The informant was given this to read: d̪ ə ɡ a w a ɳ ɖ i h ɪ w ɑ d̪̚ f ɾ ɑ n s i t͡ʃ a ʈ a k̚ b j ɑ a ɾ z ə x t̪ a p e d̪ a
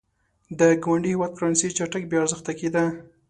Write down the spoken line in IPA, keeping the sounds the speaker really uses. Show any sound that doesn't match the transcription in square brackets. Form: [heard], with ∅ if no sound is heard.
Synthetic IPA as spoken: d̪ ə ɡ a w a ɳ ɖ i h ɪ w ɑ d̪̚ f ɾ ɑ n s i t͡ʃ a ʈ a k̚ b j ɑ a ɾ z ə x t̪ a [k] e d̪ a

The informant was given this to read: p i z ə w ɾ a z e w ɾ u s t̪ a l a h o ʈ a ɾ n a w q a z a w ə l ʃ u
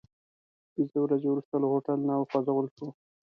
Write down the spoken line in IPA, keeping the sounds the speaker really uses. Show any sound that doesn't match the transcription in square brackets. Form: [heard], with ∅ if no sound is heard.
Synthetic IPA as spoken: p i z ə w ɾ a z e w ɾ u s t̪ a l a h o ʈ a [l] n a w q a z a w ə l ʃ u

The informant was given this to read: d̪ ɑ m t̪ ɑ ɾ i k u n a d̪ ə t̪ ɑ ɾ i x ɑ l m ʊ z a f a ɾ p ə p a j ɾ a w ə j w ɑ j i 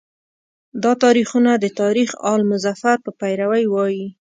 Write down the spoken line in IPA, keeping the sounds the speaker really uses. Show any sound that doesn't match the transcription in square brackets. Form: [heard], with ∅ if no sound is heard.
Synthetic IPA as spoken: d̪ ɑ [∅] t̪ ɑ ɾ i [x] u n a d̪ ə t̪ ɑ ɾ i x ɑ l m ʊ z a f a ɾ p ə p a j ɾ a w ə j w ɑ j i

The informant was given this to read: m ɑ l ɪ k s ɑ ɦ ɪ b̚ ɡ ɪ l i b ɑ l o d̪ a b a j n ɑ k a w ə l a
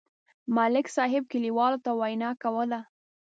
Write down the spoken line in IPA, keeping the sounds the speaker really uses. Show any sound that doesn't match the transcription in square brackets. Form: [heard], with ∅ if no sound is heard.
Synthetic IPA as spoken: m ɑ l ɪ k s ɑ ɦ ɪ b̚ [k] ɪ l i [w] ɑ l o [t̪] a [w] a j n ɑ k a w ə l a

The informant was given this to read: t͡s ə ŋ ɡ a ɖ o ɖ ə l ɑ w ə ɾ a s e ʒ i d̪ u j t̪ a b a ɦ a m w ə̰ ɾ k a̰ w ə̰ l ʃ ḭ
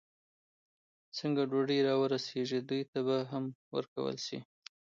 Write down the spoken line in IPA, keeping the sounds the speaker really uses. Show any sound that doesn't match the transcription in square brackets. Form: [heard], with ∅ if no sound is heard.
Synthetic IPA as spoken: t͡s ə ŋ ɡ a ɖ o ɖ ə [ɾ] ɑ w ə ɾ a s e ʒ i d̪ u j t̪ a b a ɦ a m w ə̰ ɾ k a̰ w ə̰ l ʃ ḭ

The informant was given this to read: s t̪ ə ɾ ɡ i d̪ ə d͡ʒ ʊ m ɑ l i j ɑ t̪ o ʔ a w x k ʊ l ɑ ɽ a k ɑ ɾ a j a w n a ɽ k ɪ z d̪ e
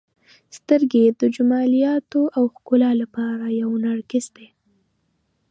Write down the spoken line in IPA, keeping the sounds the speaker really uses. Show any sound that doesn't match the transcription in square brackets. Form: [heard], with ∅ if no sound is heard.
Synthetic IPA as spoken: s t̪ ə ɾ ɡ [e] d̪ ə d͡ʒ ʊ m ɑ l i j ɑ t̪ o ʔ a w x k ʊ l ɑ [l] a [p] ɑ ɾ a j a w n a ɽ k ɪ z d̪ e

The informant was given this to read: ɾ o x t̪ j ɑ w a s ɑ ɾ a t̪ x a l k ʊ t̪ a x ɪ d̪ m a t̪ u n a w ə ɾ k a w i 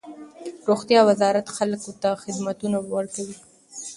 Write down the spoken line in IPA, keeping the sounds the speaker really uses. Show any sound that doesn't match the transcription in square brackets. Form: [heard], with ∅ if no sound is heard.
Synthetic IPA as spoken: ɾ o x t̪ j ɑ w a [z] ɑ ɾ a t̪ x a l k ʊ t̪ a x ɪ d̪ m a t̪ u n a w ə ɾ k a w i

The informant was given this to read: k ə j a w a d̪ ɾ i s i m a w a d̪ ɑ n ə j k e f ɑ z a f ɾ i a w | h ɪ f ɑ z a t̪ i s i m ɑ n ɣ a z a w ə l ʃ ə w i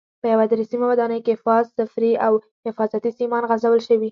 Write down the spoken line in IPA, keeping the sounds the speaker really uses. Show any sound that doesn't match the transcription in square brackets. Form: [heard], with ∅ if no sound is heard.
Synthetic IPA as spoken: [p] ə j a w a d̪ ɾ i s i m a w a d̪ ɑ n ə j k e f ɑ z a f ɾ i a w | h ɪ f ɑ z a t̪ i s i m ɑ n ɣ a z a w ə l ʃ ə w i

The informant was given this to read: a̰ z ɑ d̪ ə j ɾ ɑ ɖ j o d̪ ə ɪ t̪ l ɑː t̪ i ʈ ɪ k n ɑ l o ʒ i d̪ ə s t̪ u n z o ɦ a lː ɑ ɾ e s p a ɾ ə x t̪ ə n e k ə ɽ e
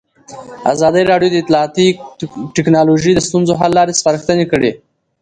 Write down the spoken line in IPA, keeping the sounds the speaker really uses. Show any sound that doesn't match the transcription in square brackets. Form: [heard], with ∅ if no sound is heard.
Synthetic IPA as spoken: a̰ z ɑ d̪ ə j ɾ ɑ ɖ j o d̪ ə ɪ t̪ l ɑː t̪ i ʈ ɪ k n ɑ l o ʒ i d̪ ə s t̪ u n z o ɦ a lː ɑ ɾ e s p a ɾ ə x t̪ ə n e k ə ɽ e

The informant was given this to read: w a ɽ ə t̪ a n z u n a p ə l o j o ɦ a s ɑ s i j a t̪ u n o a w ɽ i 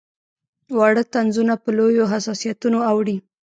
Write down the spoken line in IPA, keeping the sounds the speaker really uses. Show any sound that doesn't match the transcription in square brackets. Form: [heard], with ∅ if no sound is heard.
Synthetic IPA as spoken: w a ɽ ə t̪ a n z u n a p ə l o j o ɦ a s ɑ s i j a t̪ u n o a w ɽ i

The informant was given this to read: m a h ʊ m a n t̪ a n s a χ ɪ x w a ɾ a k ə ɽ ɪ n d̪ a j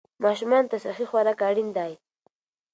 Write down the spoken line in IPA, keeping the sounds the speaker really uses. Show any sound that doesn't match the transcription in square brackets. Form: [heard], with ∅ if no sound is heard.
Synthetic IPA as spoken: m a [ʃ] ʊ m a n t̪ a [∅] s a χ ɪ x w a ɾ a k [a] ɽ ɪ n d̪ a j

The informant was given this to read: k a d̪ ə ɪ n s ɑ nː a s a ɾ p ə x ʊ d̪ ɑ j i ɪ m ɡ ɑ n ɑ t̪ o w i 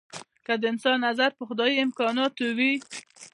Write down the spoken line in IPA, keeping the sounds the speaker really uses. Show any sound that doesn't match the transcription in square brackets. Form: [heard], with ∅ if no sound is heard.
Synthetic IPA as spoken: k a d̪ ə ɪ n s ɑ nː a [z] a ɾ p ə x ʊ d̪ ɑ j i ɪ m [k] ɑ n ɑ t̪ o w i

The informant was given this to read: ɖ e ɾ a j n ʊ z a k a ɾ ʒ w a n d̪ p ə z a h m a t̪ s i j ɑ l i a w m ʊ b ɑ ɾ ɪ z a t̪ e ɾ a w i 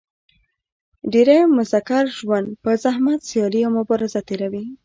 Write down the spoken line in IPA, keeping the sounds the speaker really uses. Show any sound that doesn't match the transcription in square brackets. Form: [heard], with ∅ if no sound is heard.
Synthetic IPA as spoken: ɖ e ɾ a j [m] ʊ z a k a ɾ ʒ w a n d̪ p ə z a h m a t̪ s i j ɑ l i a w m ʊ b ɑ ɾ ɪ z a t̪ e ɾ a w i

